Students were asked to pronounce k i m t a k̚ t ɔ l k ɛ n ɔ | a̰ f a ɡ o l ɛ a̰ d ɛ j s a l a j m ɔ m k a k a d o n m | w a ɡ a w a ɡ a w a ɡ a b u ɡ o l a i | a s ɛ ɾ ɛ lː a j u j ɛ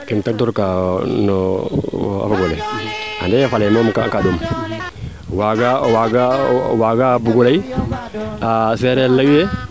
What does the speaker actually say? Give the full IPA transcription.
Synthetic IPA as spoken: k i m t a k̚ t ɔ ɾ k a n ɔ | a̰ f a ɡ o l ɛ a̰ d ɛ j f a l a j m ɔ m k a k a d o m | w a ɡ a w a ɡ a w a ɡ a b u ɡ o l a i | a s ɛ ɾ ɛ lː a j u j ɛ